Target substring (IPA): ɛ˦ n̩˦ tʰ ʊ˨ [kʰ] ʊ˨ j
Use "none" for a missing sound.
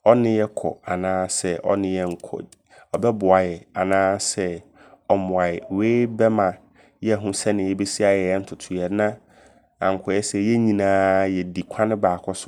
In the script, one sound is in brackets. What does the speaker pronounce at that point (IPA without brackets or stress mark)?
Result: tʰ